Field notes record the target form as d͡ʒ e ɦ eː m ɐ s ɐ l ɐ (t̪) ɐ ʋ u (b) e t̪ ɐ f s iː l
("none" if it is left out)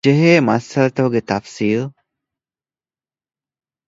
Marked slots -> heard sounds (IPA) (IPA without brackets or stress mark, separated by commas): t̪, ɡ